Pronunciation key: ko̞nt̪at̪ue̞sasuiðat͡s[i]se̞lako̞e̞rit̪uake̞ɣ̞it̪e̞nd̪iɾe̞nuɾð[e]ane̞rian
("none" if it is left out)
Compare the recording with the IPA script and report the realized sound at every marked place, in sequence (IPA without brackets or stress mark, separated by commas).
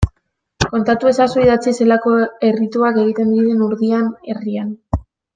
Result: i, i